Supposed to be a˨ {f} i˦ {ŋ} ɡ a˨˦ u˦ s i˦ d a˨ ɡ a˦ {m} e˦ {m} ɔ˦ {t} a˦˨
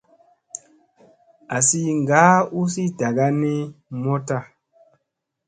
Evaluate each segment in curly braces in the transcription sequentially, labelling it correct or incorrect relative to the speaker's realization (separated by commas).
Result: incorrect, correct, incorrect, correct, correct